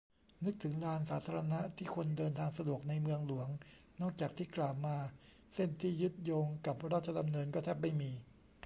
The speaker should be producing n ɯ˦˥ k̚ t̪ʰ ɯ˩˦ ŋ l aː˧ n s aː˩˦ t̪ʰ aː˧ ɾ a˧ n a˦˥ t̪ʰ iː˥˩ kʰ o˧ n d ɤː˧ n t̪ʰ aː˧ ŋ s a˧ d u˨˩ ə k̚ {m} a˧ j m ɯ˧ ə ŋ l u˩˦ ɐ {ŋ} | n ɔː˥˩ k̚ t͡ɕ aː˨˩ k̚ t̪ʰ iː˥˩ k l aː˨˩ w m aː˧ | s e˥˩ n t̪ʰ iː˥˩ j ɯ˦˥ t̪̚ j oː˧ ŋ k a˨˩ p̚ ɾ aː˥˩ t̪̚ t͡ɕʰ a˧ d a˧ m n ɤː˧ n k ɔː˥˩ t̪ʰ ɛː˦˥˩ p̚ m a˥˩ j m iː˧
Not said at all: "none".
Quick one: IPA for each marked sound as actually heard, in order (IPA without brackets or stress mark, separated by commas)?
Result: n, ŋ